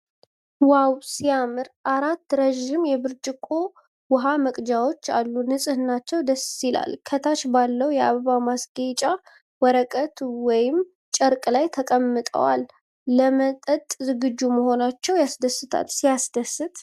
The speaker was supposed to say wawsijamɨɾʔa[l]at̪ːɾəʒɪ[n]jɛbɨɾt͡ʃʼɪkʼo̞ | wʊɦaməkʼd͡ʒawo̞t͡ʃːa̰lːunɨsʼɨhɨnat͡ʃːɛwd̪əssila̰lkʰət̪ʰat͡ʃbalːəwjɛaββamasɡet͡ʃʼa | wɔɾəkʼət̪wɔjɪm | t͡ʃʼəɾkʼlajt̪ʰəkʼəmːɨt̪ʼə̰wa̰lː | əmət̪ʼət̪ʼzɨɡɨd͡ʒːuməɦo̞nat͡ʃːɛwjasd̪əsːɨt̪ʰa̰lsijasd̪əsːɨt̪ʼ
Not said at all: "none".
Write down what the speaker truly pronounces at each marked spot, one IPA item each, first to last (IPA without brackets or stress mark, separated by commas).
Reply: ɾ, m